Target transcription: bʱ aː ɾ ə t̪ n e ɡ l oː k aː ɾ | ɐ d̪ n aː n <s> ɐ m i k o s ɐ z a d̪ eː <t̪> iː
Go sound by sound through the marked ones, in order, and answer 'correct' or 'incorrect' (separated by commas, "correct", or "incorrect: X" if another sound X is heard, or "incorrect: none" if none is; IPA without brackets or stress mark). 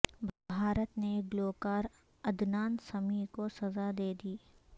correct, incorrect: d̪